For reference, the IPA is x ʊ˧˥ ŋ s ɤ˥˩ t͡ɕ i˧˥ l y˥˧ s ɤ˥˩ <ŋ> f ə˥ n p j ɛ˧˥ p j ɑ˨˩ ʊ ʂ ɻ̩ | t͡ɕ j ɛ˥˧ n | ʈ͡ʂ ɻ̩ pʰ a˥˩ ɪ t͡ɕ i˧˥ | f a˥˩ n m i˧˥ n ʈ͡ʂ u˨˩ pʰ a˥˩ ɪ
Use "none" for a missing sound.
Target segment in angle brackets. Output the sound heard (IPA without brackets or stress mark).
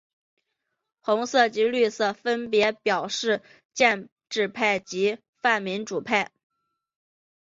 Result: none